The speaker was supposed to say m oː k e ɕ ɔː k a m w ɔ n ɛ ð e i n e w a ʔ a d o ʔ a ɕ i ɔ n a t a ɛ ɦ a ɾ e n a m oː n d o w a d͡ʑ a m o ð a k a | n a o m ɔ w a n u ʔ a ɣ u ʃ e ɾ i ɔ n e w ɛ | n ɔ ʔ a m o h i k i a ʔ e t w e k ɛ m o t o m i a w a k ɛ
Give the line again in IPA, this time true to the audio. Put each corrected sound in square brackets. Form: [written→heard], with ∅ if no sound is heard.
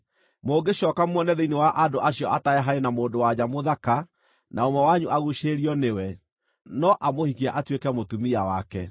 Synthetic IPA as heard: m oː [k→ɡ] e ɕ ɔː k a m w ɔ n ɛ ð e i n e w a ʔ a d o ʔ a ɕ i ɔ [n→∅] a t a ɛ ɦ a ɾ e n a m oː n d o w a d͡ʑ a m o ð a k a | n a o m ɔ w a [n→ɲ] u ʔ a ɣ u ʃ e ɾ i ɔ n e w ɛ | n ɔ ʔ a m o h i k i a ʔ [e→a] t w e k ɛ m o t [o→u] m i a w a k ɛ